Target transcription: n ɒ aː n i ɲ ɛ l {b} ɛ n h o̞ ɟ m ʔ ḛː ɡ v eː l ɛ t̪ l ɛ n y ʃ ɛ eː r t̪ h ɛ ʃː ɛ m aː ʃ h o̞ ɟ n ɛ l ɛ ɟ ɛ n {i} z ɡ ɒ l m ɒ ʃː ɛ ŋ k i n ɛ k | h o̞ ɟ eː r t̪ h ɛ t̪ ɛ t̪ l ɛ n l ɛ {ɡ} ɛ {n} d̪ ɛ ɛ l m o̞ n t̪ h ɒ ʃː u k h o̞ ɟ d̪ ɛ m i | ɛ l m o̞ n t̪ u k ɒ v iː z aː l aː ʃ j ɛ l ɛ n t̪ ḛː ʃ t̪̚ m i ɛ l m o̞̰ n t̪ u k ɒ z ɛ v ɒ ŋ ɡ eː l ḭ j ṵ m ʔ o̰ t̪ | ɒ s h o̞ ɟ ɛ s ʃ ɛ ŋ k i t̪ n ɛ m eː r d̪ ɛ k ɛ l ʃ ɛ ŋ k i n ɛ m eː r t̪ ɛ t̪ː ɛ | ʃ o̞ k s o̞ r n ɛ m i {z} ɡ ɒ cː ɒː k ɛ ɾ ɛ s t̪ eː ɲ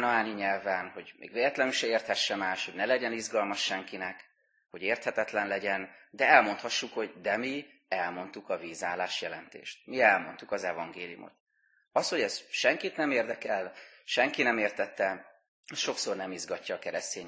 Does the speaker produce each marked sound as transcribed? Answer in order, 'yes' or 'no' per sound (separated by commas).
no, yes, no, yes, yes